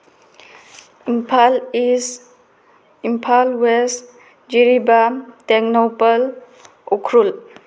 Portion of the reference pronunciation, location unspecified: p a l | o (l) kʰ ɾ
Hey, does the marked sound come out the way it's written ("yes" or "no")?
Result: no